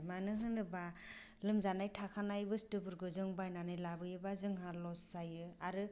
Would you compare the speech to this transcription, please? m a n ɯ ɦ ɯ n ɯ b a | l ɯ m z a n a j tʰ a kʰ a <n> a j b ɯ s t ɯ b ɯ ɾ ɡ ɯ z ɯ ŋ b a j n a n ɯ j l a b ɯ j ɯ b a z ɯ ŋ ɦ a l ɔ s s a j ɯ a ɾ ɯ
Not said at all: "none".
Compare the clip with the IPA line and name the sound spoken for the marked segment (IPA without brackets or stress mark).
n